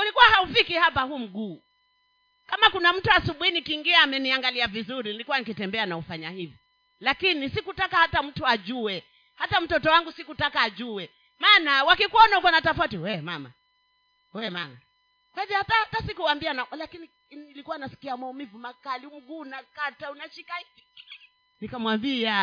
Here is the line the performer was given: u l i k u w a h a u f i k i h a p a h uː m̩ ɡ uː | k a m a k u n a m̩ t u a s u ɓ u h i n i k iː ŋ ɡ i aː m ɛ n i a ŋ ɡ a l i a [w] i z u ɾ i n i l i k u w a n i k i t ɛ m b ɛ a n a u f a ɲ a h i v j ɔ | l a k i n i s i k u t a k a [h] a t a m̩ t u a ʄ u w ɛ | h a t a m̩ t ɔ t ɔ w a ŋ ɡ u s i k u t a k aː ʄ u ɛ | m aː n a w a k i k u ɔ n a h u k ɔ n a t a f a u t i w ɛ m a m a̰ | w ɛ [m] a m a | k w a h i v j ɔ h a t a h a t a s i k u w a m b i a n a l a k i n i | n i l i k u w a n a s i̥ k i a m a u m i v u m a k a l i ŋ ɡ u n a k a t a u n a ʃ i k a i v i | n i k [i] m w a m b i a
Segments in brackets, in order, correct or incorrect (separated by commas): incorrect, correct, correct, incorrect